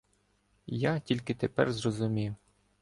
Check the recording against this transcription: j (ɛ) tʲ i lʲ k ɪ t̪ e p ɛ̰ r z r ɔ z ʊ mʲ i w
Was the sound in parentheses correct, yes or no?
no